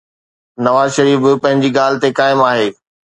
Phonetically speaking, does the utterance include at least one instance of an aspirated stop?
no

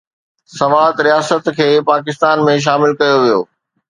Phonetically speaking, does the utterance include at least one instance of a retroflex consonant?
no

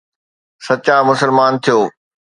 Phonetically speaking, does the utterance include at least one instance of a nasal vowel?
no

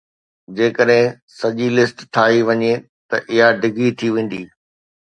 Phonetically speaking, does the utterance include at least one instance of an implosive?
yes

